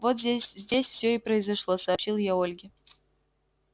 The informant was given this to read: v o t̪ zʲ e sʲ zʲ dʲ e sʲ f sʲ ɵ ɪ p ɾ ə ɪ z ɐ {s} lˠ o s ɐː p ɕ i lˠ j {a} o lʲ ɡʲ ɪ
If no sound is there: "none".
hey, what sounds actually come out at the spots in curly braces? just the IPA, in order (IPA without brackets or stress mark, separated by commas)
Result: ʂ, a